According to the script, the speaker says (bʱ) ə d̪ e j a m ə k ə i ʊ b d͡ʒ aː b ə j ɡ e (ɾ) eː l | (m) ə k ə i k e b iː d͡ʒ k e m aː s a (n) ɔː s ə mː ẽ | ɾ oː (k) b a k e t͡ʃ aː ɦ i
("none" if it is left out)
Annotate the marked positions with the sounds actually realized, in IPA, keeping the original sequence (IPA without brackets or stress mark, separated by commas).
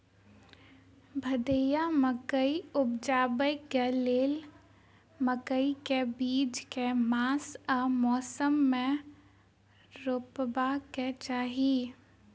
bʱ, l, m, m, p